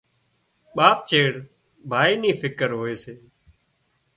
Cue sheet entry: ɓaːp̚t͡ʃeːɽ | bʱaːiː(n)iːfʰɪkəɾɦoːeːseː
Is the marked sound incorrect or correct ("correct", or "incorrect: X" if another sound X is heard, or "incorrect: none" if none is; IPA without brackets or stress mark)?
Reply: correct